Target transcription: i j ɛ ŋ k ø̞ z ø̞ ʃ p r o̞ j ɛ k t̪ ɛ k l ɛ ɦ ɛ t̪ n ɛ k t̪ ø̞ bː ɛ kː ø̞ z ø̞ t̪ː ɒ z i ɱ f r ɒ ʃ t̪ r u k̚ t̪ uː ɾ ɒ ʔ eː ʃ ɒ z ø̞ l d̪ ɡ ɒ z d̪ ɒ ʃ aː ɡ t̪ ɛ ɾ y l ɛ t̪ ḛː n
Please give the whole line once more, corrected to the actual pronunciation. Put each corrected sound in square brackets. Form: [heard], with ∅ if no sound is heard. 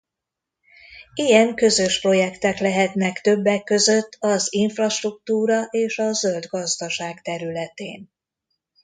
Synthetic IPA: i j ɛ ŋ k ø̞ z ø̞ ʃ p r o̞ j ɛ k t̪ ɛ k l ɛ ɦ ɛ t̪ n ɛ k t̪ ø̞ bː ɛ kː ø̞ z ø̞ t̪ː ɒ z i ɱ f r ɒ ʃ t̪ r u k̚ t̪ uː ɾ ɒ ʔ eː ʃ ɒ z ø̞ l d̪ ɡ ɒ z d̪ ɒ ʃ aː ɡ t̪ ɛ ɾ y l ɛ t̪ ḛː n